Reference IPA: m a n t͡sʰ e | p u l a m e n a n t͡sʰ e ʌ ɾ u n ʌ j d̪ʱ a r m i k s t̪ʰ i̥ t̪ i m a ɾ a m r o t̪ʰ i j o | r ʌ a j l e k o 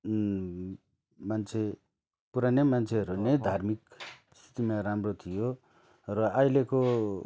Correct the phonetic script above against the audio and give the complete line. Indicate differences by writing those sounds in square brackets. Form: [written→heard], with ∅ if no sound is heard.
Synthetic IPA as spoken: m a n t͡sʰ e | p u [l→ɾ] a [m→n] e [n→m] a n t͡sʰ e ʌ ɾ u n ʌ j d̪ʱ a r m i k s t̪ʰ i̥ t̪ i m a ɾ a m r o t̪ʰ i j o | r ʌ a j l e k o